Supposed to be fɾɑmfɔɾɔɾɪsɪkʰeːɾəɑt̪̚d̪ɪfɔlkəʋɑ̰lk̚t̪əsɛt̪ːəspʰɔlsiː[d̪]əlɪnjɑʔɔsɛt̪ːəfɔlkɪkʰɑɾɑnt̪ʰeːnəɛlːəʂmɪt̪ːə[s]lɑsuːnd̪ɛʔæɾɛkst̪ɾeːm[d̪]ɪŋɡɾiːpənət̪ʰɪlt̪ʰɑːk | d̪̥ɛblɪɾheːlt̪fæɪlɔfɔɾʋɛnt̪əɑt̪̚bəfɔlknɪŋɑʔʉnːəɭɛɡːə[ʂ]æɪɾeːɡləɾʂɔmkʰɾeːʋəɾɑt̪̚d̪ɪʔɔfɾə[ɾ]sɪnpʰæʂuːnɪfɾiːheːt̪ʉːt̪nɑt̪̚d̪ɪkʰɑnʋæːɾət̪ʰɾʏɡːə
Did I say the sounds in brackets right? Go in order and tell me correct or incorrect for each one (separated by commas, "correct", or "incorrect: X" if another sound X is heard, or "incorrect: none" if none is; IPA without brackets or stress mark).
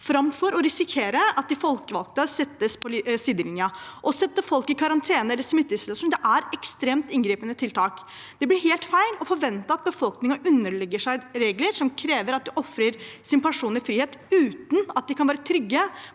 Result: correct, correct, incorrect: t̪, correct, correct